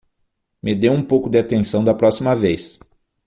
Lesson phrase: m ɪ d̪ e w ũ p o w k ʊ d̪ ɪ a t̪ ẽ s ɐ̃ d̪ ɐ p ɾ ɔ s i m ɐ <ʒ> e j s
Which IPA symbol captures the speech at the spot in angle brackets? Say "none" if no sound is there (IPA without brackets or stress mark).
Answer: v